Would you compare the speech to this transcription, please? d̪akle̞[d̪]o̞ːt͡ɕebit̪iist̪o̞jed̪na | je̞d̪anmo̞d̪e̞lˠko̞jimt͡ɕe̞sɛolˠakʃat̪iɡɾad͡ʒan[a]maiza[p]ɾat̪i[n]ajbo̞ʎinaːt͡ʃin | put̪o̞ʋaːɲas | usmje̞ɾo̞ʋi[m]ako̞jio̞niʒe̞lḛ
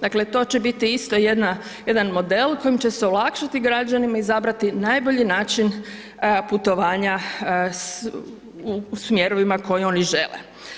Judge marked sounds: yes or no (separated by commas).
no, no, no, yes, yes